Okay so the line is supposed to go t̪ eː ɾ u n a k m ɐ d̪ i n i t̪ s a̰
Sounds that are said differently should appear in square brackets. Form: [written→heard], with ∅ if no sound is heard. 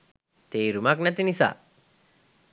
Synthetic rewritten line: t̪ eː ɾ u [n→m] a k [m→n] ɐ [d̪→t̪] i n i [t̪→∅] s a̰